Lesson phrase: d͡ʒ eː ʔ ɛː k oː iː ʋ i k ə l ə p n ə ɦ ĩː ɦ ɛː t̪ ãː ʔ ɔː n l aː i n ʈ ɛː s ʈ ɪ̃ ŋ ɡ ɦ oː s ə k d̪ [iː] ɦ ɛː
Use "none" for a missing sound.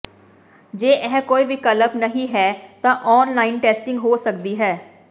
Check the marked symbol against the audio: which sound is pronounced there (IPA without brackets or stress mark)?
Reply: iː